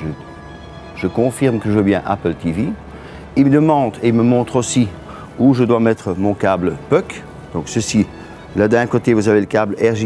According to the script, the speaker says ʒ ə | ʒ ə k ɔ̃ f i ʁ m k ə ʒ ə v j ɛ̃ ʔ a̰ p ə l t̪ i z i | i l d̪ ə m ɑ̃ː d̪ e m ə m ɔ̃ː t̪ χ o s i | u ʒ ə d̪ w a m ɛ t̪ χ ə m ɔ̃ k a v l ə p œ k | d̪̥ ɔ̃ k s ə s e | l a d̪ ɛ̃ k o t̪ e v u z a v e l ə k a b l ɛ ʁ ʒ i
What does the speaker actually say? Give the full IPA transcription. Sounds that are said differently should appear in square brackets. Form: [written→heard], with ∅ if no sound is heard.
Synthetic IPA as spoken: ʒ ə | ʒ ə k ɔ̃ f i ʁ m k ə ʒ ə v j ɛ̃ ʔ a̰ p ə l t̪ i [z→v] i | i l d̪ ə m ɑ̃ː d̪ e m ə m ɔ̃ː t̪ χ o s i | u ʒ ə d̪ w a m ɛ t̪ χ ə m ɔ̃ k a [v→b] l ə p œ k | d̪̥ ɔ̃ k s ə s [e→i] | l a d̪ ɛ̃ k o t̪ e v u z a v e l ə k a b l ɛ ʁ ʒ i